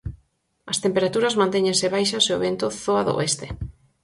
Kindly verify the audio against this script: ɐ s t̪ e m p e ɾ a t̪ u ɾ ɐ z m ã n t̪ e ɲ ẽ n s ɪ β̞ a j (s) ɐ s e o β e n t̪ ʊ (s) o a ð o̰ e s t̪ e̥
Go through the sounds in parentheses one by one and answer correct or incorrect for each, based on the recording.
incorrect: ʃ, incorrect: θ

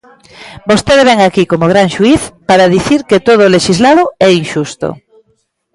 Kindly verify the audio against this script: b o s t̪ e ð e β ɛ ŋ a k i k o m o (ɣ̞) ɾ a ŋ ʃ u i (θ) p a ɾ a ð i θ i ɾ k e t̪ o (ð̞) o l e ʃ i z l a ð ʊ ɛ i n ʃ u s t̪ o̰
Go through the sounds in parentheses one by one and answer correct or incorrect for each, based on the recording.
correct, correct, correct

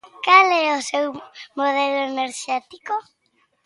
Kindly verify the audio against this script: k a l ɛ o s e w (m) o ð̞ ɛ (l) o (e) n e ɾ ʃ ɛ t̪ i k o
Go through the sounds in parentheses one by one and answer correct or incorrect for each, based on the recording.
correct, correct, correct

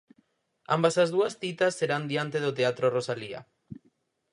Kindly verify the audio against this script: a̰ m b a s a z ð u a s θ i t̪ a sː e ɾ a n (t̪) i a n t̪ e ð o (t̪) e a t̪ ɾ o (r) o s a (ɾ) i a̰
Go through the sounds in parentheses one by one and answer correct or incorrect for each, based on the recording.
incorrect: d̪, correct, correct, incorrect: l

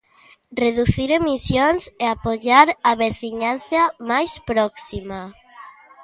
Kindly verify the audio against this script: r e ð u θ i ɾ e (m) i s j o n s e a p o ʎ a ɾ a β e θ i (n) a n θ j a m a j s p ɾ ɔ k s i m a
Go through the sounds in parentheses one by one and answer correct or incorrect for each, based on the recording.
correct, incorrect: ɲ

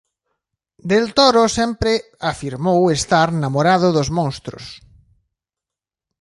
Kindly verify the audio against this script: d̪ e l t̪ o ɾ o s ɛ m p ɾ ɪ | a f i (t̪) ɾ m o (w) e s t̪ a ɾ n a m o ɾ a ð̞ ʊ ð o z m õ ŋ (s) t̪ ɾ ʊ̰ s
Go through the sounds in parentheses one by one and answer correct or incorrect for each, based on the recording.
incorrect: none, correct, correct

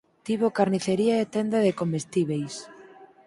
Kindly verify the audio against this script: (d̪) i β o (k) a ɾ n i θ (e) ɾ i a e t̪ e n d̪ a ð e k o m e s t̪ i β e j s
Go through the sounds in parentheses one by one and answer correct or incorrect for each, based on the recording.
incorrect: t̪, correct, correct

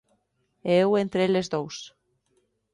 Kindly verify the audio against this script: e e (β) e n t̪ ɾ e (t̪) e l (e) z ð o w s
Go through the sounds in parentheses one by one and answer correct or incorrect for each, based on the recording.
incorrect: w, incorrect: none, correct

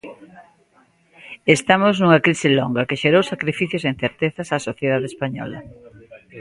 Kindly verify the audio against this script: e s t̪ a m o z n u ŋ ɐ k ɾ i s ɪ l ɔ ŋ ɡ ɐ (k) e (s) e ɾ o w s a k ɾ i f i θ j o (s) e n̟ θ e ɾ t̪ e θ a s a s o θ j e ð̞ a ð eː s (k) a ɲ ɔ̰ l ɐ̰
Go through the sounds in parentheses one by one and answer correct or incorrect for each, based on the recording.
correct, incorrect: ʃ, correct, incorrect: p

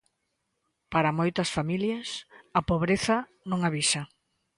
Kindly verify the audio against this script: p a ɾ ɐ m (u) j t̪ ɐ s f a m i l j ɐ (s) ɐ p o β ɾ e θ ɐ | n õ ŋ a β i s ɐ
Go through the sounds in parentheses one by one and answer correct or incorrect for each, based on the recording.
incorrect: o, correct

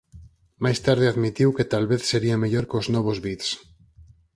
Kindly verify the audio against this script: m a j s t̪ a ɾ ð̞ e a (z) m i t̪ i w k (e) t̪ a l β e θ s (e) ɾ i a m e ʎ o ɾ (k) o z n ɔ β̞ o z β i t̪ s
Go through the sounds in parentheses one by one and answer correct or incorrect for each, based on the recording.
incorrect: ð, correct, correct, correct

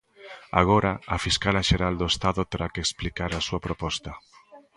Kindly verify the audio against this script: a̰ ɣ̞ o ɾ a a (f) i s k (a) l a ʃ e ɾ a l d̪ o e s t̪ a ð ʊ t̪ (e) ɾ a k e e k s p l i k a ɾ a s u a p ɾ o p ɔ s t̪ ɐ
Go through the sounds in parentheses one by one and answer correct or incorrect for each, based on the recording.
correct, correct, correct

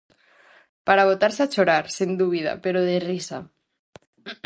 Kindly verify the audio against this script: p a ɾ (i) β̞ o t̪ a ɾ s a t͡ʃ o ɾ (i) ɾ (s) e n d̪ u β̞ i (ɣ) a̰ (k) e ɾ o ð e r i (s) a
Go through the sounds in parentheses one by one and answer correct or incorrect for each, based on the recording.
incorrect: a, incorrect: a, correct, incorrect: ð, incorrect: p, correct

